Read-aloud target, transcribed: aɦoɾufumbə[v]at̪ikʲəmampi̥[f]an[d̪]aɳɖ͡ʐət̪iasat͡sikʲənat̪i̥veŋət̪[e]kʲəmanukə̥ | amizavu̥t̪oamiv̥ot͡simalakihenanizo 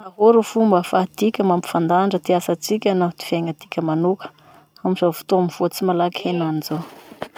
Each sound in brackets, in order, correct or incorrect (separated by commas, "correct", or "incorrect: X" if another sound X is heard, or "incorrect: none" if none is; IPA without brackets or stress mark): incorrect: f, correct, correct, incorrect: i